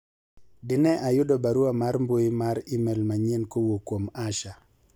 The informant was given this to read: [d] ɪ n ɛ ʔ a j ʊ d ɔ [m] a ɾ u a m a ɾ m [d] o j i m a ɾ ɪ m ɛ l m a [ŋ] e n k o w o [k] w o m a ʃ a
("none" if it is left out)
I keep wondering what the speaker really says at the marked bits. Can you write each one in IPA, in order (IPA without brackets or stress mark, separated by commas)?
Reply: d, b, b, ɲ, k